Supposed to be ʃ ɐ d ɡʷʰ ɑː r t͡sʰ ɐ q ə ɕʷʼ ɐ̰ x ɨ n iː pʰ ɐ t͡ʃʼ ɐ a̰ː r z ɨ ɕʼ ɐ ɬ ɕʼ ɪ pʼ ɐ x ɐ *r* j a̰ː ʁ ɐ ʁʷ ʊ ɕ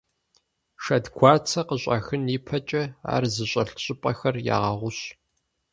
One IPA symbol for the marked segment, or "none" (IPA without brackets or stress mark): r